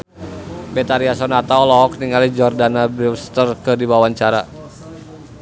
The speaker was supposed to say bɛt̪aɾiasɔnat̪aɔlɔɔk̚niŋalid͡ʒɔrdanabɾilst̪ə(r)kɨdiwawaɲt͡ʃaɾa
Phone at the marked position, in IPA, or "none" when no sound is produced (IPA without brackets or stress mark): r